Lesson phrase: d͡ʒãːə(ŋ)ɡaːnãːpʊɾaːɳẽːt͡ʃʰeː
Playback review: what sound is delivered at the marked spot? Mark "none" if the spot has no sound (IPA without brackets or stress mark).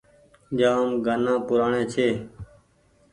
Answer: m